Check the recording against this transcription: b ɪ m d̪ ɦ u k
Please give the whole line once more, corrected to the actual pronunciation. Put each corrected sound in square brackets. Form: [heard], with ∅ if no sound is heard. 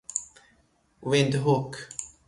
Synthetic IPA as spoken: [w] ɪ [n] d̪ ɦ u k